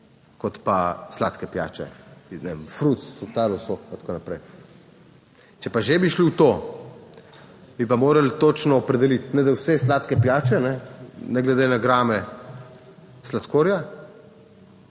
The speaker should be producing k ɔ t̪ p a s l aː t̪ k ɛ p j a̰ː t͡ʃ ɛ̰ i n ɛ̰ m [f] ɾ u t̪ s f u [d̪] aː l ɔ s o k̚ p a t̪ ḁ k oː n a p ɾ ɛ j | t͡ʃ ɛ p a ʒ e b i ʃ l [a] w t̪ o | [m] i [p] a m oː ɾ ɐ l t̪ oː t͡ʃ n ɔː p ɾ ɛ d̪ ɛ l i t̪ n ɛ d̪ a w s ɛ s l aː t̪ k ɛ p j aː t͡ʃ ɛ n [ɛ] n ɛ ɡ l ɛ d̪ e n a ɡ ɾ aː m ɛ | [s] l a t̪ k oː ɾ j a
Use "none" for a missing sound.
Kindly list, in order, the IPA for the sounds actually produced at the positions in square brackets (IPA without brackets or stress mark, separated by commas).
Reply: f, t̪, i, b, p, ɛ, s